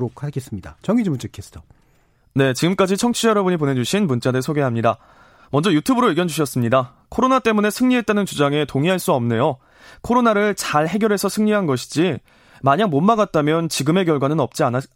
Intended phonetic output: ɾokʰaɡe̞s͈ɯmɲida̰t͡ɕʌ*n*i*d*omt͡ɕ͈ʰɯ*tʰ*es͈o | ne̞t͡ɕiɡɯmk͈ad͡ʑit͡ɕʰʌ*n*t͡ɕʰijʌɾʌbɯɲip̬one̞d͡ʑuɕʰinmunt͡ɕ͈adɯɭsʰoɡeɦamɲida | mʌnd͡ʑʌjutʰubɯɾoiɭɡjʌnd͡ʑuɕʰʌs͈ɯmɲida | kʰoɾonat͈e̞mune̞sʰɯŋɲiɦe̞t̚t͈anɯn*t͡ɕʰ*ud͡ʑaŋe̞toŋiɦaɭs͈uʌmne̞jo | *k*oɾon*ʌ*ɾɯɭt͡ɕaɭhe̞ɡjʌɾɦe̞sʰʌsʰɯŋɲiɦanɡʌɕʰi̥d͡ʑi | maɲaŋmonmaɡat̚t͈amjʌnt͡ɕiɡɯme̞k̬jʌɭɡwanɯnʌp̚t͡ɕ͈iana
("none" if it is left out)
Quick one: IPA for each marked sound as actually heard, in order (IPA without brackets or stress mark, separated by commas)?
ŋ, d͡ʑ, kʰ, ŋ, t͡ɕ, kʰ, a